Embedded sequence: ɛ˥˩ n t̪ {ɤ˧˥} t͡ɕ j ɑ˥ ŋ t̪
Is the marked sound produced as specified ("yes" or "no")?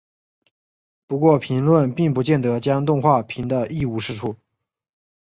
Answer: yes